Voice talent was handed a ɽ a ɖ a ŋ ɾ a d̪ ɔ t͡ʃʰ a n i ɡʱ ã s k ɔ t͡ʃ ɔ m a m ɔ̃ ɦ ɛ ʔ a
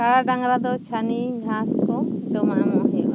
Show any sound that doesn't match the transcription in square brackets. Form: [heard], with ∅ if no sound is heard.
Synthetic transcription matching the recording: a ɽ a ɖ a ŋ ɾ a d̪ ɔ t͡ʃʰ a n i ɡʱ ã s k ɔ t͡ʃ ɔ m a m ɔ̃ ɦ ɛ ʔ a